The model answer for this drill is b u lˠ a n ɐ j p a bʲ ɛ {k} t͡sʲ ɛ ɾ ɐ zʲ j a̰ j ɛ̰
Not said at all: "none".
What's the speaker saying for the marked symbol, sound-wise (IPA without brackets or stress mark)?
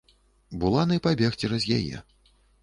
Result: x